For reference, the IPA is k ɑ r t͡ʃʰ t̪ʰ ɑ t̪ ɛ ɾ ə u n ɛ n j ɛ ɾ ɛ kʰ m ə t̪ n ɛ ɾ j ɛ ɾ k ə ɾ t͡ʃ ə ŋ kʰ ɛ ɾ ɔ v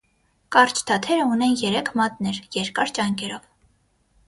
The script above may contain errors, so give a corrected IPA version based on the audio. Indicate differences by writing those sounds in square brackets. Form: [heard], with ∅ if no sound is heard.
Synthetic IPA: k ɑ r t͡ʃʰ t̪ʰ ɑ [t̪ʰ] ɛ ɾ ə u n ɛ n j ɛ ɾ ɛ kʰ m [ɑ] t̪ n ɛ ɾ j ɛ ɾ k [ɑ] ɾ t͡ʃ [ɑ] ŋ [k] ɛ ɾ ɔ v